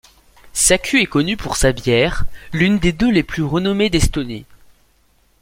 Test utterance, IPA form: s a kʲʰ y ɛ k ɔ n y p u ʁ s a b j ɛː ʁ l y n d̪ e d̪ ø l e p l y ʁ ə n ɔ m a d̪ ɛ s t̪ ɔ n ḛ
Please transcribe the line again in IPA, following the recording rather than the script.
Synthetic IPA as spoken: s a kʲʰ y ɛ k ɔ n y p u ʁ s a b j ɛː ʁ l y n d̪ e d̪ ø l e p l y ʁ ə n ɔ m e d̪ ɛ s t̪ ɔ n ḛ

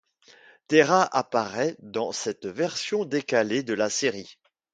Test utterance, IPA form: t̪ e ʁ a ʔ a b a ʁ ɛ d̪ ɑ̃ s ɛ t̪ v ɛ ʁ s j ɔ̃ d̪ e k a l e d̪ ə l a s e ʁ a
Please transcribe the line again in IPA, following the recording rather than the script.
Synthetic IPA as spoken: t̪ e ʁ a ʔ a p a ʁ ɛ d̪ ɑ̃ s ɛ t̪ v ɛ ʁ s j ɔ̃ d̪ e k a l e d̪ ə l a s e ʁ i

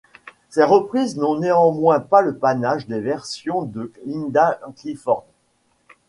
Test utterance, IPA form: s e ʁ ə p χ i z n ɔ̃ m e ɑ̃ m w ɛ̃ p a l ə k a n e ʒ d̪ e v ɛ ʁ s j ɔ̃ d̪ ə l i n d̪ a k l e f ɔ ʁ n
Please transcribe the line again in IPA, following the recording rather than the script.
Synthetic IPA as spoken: s e ʁ ə p χ i z n ɔ̃ n e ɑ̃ m w ɛ̃ p a l ə p a n a ʒ d̪ e v ɛ ʁ s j ɔ̃ d̪ ə l i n d̪ a k l i f ɔ ʁ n

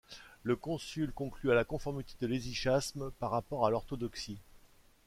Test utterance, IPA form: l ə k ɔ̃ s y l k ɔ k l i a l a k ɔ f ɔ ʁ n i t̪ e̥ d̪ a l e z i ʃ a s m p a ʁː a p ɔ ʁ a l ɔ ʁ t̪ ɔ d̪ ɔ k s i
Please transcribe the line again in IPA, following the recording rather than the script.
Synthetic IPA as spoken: l ə k ɔ̃ s y l k ɔ̃ k l y a l a k ɔ̃ f ɔ ʁ m i t̪ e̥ d̪ ə l e z i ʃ a s m p a ʁː a p ɔ ʁ a l ɔ ʁ t̪ ɔ d̪ ɔ k s i

